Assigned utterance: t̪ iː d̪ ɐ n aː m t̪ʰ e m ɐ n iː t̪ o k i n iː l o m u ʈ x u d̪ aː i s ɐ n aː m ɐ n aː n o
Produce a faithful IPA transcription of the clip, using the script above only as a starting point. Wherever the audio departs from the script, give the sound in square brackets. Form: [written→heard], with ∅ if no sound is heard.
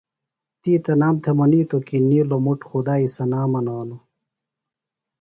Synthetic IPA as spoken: t̪ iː [d̪→t̪] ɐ n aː m t̪ʰ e m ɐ n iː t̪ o k i n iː l o m u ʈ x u d̪ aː i s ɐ n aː m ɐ n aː n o